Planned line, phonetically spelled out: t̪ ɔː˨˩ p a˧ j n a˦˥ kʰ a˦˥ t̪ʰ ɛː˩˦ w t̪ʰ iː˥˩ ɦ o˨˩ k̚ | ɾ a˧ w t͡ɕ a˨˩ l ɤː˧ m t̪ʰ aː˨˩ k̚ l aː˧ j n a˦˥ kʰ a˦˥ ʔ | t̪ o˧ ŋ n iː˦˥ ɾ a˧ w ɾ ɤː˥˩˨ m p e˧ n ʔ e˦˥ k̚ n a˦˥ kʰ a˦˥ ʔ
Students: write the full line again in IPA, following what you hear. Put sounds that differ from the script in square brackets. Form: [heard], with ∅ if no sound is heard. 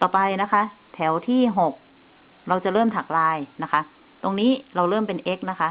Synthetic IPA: t̪ ɔː˨˩ p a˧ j n a˦˥ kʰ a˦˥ t̪ʰ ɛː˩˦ w t̪ʰ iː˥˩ ɦ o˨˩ k̚ | ɾ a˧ w t͡ɕ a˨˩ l [ɤː˥˩] m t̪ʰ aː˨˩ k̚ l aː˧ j n a˦˥ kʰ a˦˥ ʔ | t̪ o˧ ŋ n iː˦˥ ɾ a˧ w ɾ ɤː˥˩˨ m p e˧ n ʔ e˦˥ k̚ n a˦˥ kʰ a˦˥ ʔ